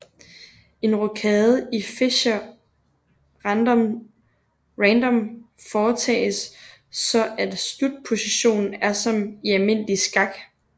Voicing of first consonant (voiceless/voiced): voiced